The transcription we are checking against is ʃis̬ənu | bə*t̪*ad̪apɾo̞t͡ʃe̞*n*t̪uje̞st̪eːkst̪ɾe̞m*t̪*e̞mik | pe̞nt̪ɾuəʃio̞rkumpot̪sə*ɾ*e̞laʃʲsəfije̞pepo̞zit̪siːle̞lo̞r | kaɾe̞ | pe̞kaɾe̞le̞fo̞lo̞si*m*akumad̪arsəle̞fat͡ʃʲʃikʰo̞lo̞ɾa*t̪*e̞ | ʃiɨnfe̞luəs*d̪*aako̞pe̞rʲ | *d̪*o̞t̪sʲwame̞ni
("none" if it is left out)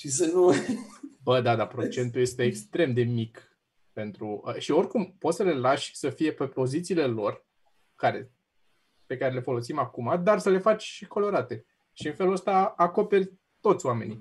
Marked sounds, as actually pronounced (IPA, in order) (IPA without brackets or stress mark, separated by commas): d̪, n, d̪, l, m, t̪, t̪, t̪